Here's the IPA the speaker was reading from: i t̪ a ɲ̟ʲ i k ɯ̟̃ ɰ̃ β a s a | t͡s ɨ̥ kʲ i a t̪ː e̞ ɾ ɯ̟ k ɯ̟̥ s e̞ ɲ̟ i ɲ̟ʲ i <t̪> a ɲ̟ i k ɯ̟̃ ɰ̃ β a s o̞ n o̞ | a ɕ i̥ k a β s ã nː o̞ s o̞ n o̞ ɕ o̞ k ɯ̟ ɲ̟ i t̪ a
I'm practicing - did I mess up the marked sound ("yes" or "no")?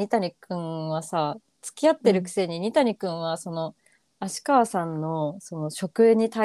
no